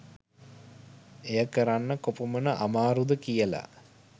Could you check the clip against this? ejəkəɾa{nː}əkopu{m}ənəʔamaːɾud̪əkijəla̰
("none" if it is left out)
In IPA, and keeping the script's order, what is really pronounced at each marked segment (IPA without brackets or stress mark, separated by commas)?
nː, m